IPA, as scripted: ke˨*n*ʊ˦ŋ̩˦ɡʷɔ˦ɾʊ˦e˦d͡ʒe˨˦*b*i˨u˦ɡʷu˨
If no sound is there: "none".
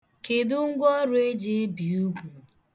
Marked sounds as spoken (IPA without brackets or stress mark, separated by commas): d, b